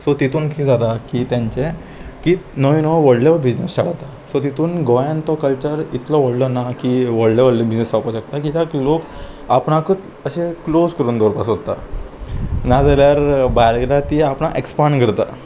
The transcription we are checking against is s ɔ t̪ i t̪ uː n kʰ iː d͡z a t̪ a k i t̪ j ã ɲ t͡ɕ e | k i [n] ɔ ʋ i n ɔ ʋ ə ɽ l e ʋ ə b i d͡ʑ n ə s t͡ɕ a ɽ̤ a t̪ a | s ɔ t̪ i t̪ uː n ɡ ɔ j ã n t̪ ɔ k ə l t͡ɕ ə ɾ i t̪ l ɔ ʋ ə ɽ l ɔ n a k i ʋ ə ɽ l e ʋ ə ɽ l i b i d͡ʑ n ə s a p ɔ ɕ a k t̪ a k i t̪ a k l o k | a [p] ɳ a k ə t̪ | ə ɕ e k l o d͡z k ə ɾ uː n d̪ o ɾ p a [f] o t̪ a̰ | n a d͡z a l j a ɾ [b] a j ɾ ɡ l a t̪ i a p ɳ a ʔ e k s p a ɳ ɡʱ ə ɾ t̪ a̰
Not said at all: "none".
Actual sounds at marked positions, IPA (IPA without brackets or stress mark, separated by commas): n, p, s, b